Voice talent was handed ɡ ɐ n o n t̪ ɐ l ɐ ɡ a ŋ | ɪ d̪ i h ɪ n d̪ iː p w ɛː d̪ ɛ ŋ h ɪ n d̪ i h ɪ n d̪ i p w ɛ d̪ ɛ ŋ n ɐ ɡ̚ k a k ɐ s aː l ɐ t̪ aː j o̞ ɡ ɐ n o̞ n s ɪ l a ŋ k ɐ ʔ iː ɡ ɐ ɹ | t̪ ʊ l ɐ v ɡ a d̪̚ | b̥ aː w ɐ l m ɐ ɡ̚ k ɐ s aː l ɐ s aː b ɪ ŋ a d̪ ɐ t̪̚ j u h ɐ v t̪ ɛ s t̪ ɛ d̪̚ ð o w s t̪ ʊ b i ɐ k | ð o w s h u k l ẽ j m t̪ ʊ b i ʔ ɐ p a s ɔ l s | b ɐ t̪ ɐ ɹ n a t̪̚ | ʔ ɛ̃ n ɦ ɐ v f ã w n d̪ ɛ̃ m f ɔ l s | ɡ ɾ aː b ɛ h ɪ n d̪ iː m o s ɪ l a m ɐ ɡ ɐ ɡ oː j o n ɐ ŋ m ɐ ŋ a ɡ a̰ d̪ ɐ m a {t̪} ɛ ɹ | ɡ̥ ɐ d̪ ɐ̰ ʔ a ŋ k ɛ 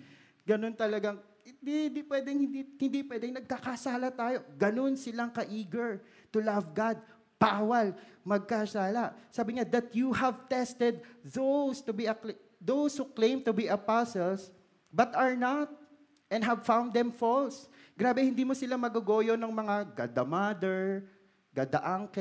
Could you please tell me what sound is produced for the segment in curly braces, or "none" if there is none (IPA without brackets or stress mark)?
d̪